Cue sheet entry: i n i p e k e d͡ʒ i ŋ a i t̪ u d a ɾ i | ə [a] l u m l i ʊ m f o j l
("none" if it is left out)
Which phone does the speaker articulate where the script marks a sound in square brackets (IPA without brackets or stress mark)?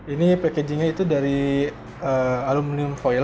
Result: a